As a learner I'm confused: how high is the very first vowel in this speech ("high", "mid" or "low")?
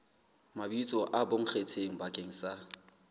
low